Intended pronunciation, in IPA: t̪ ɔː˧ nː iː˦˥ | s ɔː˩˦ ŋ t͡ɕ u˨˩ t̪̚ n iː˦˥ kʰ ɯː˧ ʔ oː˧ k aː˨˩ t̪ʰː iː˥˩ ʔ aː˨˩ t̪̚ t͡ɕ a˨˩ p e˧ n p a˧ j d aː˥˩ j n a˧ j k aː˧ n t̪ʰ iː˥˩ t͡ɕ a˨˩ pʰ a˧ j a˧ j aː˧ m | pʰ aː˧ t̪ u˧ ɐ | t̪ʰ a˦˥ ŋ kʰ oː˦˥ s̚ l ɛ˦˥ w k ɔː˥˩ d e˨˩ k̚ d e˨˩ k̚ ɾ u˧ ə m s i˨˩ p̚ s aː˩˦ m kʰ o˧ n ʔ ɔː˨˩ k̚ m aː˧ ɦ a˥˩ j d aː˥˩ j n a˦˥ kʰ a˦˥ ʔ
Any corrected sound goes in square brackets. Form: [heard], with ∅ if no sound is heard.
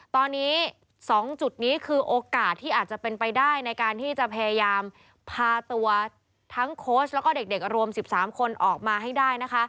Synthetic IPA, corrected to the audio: t̪ ɔː˧ nː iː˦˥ | s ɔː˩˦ ŋ t͡ɕ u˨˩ t̪̚ n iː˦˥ kʰ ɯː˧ ʔ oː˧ k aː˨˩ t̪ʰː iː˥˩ ʔ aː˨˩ t̪̚ t͡ɕ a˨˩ p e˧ n p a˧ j d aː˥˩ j n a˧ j k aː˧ n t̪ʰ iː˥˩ t͡ɕ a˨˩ pʰ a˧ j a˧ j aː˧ m | pʰ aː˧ t̪ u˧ ɐ | t̪ʰ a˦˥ ŋ kʰ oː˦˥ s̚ l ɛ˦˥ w k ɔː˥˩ d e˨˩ k̚ d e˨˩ k̚ ɾ u˧ ə m s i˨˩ p̚ s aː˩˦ m kʰ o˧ n ʔ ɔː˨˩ k̚ m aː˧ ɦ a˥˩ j d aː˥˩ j n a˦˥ kʰ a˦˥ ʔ